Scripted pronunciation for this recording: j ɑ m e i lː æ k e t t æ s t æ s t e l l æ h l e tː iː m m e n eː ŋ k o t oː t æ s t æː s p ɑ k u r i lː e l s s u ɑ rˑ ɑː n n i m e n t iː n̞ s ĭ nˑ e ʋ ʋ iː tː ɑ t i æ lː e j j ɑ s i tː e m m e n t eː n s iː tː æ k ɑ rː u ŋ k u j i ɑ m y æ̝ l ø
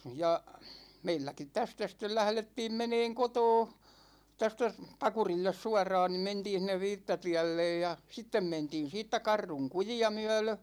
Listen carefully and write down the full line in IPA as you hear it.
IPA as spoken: j ɑ m e i lː æ k i t t æ s t æ s t e l l æ h l e tː iː m m e n eː ŋ k o t oː t æ s t æ s p ɑ k u r i lː e s s u ɑ rˑ ɑː n n i m e n t iː n̞ s ĭ nˑ e ʋ ʋ iː tː ɑ t i æ lː e j j ɑ s i tː e m m e n t iː n s iː tː æ k ɑ rː u ŋ k u j i ɑ m y æ̝ l ø